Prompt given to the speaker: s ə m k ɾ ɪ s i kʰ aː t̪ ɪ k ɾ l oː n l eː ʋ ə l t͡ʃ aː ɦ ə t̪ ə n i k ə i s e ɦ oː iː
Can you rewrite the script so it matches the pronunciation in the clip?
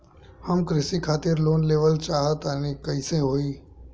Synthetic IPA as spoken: h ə m k ɾ ɪ s i kʰ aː t̪ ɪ ɾ l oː n l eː ʋ ə l t͡ʃ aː ɦ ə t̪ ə n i k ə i s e ɦ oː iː